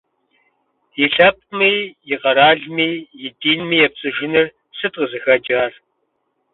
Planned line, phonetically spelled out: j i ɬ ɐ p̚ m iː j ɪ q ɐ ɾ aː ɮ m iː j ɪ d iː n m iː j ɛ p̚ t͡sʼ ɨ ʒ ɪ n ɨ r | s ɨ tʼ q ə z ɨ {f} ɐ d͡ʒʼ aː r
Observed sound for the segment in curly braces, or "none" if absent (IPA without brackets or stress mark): x